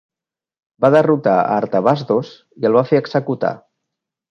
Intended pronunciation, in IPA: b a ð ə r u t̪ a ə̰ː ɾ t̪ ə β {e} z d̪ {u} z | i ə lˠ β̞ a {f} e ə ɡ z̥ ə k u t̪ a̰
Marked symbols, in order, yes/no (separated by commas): no, no, yes